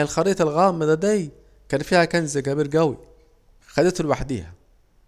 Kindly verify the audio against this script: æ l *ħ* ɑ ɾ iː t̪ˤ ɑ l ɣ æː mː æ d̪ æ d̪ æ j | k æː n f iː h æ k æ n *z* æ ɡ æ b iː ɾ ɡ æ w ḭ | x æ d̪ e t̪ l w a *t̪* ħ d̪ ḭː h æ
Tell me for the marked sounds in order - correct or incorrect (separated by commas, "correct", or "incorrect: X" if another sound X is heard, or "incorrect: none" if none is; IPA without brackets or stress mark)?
incorrect: x, correct, incorrect: none